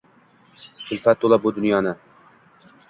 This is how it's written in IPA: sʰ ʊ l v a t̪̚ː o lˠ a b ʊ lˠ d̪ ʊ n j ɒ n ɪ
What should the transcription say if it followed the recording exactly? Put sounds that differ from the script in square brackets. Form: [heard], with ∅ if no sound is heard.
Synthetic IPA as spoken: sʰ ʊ l [f] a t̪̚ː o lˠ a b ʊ [∅] d̪ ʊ n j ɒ n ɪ